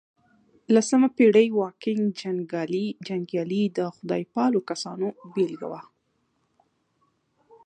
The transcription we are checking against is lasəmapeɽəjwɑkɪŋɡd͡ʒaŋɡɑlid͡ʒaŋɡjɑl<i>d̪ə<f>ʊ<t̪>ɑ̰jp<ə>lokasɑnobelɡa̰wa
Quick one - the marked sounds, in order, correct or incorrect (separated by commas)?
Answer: correct, incorrect, incorrect, incorrect